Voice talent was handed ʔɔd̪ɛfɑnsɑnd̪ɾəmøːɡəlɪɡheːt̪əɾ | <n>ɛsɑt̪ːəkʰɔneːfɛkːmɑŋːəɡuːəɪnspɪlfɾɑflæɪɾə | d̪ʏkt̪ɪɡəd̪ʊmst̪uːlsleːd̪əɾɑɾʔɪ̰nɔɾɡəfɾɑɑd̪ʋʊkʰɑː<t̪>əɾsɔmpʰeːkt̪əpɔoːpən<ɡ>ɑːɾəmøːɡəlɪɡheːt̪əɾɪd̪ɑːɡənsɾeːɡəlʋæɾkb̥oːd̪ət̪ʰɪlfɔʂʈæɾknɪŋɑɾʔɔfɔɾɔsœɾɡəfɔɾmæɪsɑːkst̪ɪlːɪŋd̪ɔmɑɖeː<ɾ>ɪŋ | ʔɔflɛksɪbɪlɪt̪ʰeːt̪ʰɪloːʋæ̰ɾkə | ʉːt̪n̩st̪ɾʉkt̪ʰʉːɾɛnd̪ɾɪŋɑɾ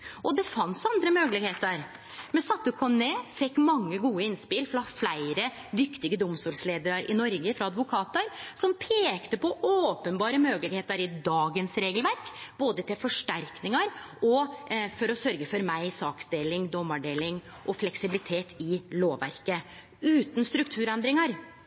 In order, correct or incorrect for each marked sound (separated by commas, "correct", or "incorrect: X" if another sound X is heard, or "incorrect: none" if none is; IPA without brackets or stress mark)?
incorrect: m, correct, incorrect: b, incorrect: l